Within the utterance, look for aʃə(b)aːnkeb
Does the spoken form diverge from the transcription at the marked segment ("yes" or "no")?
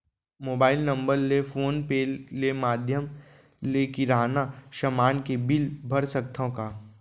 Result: yes